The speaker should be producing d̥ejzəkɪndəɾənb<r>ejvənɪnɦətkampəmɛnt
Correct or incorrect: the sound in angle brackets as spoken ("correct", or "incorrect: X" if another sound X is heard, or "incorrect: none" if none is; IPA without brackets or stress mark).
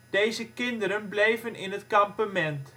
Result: incorrect: l